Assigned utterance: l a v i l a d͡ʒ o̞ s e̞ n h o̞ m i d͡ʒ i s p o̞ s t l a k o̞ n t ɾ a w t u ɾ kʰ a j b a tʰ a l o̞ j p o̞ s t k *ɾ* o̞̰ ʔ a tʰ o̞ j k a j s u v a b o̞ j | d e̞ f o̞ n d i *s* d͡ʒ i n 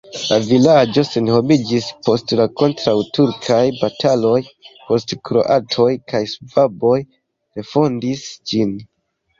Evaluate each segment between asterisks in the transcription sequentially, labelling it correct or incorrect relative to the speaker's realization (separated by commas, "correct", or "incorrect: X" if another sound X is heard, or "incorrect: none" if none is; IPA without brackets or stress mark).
correct, correct